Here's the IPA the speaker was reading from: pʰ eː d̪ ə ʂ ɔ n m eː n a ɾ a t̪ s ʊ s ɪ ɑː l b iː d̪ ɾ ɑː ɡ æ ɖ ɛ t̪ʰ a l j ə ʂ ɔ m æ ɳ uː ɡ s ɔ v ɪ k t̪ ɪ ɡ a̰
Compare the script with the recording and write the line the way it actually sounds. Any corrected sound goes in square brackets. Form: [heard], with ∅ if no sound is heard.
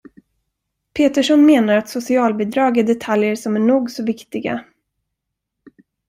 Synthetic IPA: pʰ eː [t̪] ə ʂ ɔ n m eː n a ɾ a t̪ s ʊ s ɪ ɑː l b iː d̪ ɾ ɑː ɡ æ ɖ ɛ t̪ʰ a l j ə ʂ ɔ m æ ɳ uː ɡ s ɔ v ɪ k t̪ ɪ ɡ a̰